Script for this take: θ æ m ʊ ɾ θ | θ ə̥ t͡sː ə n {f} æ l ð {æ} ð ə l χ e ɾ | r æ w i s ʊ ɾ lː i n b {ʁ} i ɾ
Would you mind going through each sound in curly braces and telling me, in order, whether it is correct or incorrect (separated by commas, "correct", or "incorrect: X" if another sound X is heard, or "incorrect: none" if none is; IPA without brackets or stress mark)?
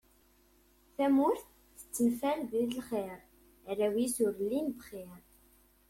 correct, incorrect: i, incorrect: χ